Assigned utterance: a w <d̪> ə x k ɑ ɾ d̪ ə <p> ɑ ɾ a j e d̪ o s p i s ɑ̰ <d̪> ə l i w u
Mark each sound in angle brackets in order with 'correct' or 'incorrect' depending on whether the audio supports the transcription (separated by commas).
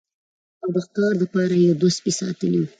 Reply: correct, correct, incorrect